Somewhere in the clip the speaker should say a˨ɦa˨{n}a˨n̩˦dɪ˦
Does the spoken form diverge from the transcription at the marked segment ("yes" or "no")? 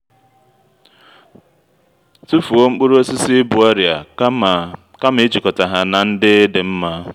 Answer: no